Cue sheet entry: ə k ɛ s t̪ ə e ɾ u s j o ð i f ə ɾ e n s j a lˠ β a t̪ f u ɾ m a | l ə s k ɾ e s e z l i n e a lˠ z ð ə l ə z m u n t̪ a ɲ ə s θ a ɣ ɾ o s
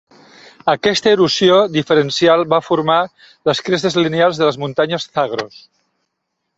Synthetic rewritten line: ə k ɛ s t̪ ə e ɾ u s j o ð i f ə ɾ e n s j a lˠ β a f u ɾ m a | l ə s k ɾ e s e z l i n e a lˠ z ð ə l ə z m u n t̪ a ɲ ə s θ a ɣ ɾ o s